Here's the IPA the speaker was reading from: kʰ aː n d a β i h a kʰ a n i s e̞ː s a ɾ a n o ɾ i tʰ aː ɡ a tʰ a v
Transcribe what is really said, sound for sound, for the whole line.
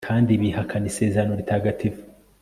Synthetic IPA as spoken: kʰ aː n d i β i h a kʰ a n i s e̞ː z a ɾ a n o ɾ i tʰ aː ɡ a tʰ i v